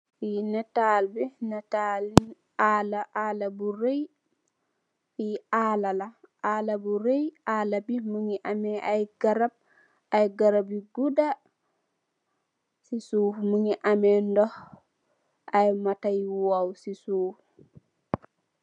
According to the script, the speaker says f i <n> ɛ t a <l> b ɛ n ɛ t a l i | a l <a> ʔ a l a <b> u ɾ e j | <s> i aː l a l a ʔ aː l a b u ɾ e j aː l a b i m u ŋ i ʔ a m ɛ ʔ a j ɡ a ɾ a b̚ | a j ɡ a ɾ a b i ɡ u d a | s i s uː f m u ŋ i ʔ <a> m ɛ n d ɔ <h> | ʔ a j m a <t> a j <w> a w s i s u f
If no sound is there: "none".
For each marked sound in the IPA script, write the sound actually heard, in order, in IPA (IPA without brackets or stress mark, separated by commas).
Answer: n, l, a, b, f, a, h, t, w